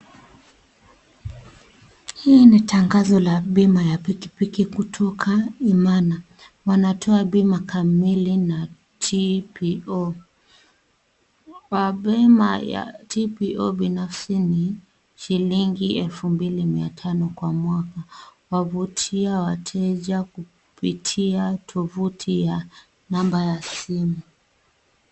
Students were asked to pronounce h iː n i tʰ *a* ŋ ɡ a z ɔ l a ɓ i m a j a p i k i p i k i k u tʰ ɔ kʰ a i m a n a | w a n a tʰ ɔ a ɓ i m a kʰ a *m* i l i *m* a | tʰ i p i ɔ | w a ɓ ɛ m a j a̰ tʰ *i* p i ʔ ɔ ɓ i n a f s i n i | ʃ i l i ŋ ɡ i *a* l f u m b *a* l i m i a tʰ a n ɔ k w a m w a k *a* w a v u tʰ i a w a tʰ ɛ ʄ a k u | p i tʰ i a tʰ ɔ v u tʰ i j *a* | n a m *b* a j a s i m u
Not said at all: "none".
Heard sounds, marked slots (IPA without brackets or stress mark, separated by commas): a, m, n, i, ɛ, i, a, a, b